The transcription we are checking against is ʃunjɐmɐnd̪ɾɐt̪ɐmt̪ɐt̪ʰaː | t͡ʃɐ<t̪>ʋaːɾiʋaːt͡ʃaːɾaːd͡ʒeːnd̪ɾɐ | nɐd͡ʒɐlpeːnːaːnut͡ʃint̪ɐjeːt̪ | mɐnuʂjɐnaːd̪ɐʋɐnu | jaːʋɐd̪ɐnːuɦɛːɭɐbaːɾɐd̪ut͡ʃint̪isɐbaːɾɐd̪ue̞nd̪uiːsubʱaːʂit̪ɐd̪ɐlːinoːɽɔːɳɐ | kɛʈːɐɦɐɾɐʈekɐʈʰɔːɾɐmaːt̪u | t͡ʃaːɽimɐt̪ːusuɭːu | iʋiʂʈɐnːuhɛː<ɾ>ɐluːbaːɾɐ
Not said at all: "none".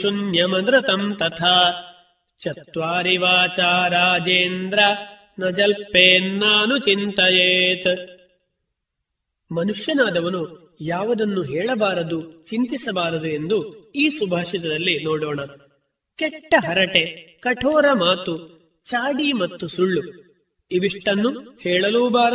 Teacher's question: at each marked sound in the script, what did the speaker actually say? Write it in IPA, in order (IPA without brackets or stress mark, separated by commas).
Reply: t̪, ɭ